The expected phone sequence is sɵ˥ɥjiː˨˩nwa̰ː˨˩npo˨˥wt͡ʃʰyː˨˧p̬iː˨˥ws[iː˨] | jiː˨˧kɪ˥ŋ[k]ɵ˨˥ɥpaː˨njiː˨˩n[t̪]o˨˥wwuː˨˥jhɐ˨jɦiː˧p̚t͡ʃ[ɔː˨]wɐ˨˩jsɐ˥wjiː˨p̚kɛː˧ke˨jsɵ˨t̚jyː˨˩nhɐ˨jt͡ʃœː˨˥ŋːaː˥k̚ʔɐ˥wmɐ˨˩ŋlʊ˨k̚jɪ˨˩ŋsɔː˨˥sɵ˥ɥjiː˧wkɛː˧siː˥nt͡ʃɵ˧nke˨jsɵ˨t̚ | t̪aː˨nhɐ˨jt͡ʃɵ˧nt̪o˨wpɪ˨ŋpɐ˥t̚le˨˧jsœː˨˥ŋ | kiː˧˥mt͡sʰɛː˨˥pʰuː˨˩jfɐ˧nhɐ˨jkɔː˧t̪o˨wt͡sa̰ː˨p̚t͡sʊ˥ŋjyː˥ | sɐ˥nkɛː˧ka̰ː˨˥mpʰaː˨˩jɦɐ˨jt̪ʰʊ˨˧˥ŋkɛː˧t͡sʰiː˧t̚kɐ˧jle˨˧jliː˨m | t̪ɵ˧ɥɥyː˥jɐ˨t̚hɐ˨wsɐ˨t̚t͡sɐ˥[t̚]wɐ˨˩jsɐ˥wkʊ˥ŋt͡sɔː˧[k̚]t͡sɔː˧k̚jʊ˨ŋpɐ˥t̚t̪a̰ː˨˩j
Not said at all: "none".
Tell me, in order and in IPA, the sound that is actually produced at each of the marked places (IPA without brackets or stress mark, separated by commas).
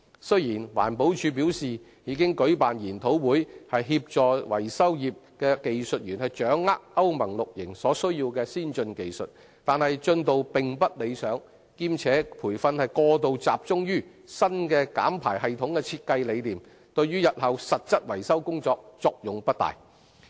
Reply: iː˨, k, t̪ʰ, ɔː˨, t̚, k̚